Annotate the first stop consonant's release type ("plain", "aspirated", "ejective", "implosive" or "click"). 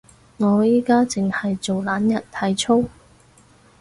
plain